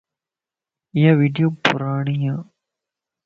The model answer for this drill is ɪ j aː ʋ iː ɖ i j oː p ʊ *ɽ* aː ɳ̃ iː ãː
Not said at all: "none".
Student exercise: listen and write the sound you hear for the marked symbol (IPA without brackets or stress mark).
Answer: ɾ